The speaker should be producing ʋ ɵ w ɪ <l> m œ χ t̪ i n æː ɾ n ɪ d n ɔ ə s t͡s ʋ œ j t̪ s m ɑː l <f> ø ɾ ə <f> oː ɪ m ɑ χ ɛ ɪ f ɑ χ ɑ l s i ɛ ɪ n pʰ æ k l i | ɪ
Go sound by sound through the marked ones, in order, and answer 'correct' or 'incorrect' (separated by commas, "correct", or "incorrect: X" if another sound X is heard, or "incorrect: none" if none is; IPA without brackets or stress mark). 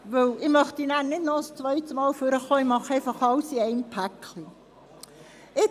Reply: incorrect: none, correct, incorrect: χ